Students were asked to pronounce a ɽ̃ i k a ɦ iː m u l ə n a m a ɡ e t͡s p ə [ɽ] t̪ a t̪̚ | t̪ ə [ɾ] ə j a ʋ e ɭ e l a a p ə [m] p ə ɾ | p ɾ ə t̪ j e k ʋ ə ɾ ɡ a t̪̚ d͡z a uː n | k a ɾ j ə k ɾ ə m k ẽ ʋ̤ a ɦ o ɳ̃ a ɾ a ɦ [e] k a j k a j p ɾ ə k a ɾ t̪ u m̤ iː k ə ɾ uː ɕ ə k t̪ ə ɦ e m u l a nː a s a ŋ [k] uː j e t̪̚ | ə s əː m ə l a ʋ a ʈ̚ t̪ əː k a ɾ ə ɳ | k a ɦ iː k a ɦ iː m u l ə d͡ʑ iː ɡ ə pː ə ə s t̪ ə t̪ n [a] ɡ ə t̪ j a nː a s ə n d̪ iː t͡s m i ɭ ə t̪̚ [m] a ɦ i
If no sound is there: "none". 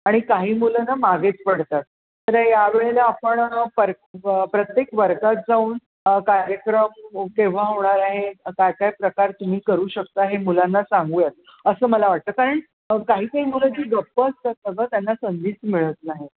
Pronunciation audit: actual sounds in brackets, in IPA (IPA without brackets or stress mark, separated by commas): ɽ, ɾ, ɳ, e, ɡ, ə, n